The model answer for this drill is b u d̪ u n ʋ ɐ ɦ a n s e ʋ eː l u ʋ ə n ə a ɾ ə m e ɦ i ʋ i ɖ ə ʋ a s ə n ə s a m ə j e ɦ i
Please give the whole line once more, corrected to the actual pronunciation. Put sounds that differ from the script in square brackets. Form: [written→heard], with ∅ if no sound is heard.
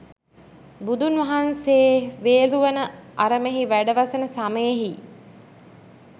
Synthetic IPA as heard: b u d̪ u n ʋ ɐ ɦ a n s e ʋ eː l u ʋ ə n ə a ɾ ə m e ɦ i ʋ [i→æ] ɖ ə ʋ a s ə n ə s a m ə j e ɦ i

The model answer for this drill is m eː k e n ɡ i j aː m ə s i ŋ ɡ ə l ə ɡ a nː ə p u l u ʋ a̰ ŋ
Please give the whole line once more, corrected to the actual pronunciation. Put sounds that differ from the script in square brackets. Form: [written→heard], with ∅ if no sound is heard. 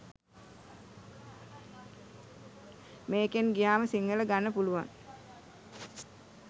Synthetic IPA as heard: m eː k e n ɡ i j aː m ə s i ŋ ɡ ə l ə ɡ a nː ə p u l u ʋ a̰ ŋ

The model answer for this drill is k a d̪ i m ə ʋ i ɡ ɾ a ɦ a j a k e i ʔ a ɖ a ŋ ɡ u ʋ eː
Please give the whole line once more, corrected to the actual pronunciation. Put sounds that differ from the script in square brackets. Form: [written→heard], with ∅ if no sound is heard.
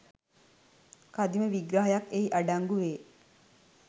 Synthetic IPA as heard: k a d̪ i m ə ʋ i ɡ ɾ a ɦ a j a k e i ʔ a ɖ a ŋ ɡ u ʋ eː

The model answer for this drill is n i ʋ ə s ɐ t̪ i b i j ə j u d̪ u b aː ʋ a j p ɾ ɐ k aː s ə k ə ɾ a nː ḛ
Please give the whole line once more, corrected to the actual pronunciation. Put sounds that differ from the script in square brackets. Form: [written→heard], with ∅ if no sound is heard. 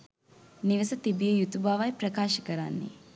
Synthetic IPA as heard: n i ʋ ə s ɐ t̪ i b i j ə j u [d̪→t̪] u b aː ʋ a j p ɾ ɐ k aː [s→ʃ] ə k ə ɾ a nː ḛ

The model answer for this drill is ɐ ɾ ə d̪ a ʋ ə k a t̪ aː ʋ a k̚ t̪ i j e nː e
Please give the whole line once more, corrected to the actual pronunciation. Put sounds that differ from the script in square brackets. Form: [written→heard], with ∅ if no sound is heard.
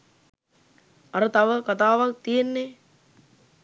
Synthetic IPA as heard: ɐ ɾ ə [d̪→t̪] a ʋ ə k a t̪ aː ʋ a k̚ t̪ i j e nː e

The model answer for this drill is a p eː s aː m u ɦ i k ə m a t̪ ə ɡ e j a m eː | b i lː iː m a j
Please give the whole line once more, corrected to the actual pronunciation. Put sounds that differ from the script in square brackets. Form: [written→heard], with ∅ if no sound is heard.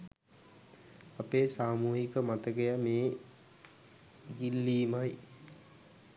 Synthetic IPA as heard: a p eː s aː m [u→uː] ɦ i k ə m a t̪ ə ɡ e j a m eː | [b→ɡ] i lː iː m a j

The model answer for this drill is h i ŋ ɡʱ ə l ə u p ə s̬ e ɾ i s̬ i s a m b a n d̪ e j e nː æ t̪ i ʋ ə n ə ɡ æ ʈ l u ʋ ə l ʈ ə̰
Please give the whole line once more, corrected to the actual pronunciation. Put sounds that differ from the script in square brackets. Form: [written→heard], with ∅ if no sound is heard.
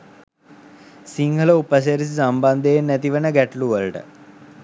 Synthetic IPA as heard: [h→s] i ŋ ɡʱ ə l ə u p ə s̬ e ɾ i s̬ i s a m b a n d̪ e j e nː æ t̪ i ʋ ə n ə ɡ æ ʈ l u ʋ ə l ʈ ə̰

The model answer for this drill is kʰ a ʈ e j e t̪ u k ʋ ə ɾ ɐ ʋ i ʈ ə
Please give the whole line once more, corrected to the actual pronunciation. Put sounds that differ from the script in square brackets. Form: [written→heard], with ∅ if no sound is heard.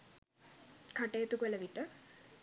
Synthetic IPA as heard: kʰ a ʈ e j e t̪ u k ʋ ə [ɾ→l] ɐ ʋ i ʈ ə

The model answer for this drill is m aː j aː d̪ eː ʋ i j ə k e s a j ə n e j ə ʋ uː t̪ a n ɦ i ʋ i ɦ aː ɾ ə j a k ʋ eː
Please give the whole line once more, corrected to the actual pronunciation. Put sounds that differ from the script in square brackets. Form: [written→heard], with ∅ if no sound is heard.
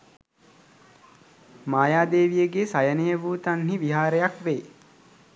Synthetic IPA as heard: m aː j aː d̪ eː ʋ i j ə [k→ɡ] e s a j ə n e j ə ʋ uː t̪ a n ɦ i ʋ i ɦ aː ɾ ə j a k ʋ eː

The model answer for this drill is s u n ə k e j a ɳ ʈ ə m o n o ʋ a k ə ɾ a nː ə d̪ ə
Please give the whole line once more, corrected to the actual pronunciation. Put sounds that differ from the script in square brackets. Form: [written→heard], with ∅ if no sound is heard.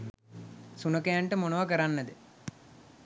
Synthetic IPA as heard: s u n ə k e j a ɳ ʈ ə m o n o ʋ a k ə ɾ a nː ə d̪ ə

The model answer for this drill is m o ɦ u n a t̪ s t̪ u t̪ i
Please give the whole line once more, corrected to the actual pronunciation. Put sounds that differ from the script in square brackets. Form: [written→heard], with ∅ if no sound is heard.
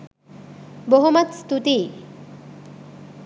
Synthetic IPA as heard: [m→b] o ɦ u [n→m] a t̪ s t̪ u t̪ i

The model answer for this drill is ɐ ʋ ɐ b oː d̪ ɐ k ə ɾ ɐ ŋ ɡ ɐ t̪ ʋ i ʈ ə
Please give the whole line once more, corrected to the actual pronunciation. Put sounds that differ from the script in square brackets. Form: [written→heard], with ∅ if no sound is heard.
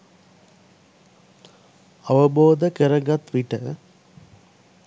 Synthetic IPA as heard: ɐ ʋ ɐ b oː d̪ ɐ k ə ɾ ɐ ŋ ɡ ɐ t̪ ʋ i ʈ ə

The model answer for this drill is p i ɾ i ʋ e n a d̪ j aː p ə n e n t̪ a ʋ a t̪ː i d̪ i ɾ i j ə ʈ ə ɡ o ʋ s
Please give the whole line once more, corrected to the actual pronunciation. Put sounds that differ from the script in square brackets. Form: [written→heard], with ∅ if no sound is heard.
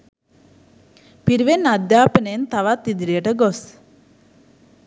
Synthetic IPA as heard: p i ɾ i ʋ e n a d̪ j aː p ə n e n t̪ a ʋ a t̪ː i d̪ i ɾ i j ə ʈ ə ɡ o [ʋ→∅] s

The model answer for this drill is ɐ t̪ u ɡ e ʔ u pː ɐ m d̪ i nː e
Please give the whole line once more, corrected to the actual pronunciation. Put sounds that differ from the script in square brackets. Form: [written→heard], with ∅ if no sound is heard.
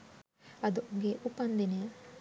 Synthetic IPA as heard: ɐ [t̪→d̪] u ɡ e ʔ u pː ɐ [m→n] d̪ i [nː→n] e

